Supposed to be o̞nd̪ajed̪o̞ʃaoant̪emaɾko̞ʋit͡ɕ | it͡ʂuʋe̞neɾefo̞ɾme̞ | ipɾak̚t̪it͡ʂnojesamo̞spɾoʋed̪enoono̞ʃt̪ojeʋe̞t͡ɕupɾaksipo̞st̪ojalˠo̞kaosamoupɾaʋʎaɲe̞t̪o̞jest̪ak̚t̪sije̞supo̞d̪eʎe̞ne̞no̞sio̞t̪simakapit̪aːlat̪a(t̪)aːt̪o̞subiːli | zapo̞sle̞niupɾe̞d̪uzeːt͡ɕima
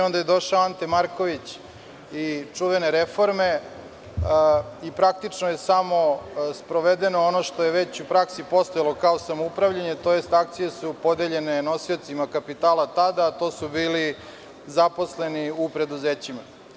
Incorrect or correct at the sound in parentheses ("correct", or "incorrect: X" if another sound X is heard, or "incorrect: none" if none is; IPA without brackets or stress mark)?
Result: incorrect: d̪